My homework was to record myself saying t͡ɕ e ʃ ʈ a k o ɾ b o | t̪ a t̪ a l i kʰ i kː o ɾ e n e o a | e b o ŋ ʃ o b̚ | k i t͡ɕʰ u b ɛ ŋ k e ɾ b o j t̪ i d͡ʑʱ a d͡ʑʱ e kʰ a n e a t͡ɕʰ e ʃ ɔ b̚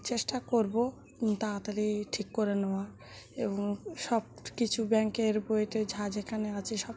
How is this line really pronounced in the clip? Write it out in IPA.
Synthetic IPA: t͡ɕ e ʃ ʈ a k o ɾ b o | t̪ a t̪ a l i ʈʰ i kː o ɾ e n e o a | e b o ŋ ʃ ɔ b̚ | k i t͡ɕʰ u b ɛ ŋ k e ɾ b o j t̪ e d͡ʑʱ a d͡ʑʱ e kʰ a n e a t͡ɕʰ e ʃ ɔ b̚

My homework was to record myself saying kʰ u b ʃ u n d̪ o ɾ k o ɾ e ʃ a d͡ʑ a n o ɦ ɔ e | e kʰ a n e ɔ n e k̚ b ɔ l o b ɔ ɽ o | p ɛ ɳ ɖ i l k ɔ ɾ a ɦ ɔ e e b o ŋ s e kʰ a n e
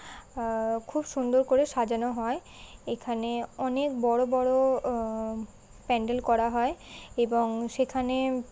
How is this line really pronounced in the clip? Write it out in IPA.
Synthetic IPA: kʰ u b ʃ u n d̪ o ɾ k o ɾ e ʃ a d͡ʑ a n o ɦ ɔ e | e kʰ a n e ɔ n e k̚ b ɔ ɽ o b ɔ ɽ o | p ɛ ɳ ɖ e l k ɔ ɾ a ɦ ɔ e e b o ŋ ʃ e kʰ a n e

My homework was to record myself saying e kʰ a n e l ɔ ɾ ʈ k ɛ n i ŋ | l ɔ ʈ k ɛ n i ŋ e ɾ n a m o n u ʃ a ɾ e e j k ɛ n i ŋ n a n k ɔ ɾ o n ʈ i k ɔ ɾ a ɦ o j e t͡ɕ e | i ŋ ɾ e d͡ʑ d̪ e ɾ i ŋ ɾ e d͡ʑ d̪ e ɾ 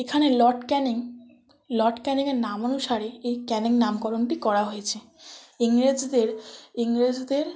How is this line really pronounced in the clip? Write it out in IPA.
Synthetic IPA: e kʰ a n e l ɔ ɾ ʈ k ɛ n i ŋ | l ɔ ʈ k ɛ n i ŋ e ɾ n a m o n u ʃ a ɾ e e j k ɛ n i ŋ n a m k ɔ ɾ o n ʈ i k ɔ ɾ a ɦ o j e t͡ɕʰ e | i ŋ ɾ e d͡ʑ d̪ e ɾ i ŋ ɾ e d͡ʑ d̪ e ɾ

